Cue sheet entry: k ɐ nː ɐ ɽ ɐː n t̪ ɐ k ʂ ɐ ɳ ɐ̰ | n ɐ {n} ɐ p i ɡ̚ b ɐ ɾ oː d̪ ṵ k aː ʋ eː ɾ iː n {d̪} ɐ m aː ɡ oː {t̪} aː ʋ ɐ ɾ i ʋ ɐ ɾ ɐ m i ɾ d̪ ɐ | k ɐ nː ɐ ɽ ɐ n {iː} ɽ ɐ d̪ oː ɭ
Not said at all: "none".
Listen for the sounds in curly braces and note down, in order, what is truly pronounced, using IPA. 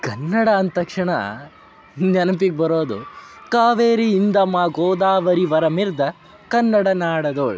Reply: n, d̪, d̪, aː

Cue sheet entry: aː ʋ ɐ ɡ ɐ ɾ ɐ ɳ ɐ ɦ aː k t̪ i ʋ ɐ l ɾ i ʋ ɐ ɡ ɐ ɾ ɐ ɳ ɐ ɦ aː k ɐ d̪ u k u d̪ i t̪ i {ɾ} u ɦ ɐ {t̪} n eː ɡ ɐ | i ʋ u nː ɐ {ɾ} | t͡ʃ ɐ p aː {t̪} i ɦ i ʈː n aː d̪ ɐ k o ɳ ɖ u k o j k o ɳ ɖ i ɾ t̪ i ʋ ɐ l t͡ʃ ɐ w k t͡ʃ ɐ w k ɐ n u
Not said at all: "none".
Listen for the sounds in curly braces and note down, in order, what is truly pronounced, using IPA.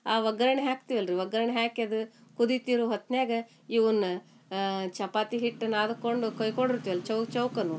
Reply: ɾ, t̪, none, t̪

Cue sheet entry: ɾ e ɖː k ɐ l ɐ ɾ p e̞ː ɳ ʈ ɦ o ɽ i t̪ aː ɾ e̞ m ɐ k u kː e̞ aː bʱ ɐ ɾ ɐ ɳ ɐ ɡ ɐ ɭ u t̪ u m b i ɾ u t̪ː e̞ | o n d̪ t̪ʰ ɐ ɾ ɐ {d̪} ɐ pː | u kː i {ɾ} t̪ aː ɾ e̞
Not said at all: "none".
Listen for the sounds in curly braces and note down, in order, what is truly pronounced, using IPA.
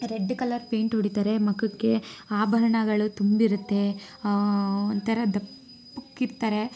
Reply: d̪, ɾ

